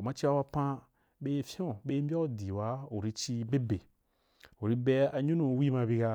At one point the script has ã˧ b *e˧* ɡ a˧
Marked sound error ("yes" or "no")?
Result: yes